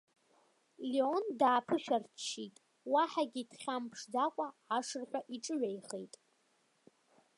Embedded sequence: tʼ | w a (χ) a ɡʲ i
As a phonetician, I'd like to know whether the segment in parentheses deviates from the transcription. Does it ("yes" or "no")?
yes